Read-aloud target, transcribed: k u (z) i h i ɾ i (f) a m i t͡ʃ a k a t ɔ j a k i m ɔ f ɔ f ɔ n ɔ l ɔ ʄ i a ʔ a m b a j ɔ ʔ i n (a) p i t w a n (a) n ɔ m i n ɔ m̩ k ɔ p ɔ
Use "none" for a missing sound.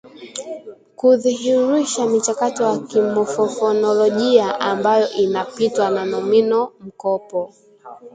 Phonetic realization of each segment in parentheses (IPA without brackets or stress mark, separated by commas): ð, ʃ, a, a